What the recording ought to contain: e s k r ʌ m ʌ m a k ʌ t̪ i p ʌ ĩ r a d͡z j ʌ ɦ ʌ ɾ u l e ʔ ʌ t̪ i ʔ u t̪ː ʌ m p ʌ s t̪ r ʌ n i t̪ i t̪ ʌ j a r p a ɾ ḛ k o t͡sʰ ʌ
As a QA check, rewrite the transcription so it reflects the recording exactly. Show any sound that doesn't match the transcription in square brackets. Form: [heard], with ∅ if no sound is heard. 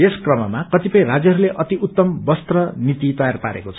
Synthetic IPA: e s k r ʌ m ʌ m a k ʌ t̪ i p ʌ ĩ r a d͡z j ʌ ɦ ʌ ɾ u l e ʔ ʌ t̪ i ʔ u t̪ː ʌ m [b] ʌ s t̪ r ʌ n i t̪ i t̪ ʌ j a r p a ɾ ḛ k o t͡sʰ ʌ